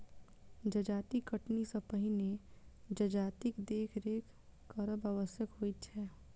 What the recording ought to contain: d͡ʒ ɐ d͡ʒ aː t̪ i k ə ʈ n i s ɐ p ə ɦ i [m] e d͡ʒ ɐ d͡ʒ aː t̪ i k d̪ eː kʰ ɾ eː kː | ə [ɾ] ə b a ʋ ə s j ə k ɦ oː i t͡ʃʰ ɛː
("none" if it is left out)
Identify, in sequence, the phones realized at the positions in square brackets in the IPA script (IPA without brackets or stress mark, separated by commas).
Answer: n, ɾ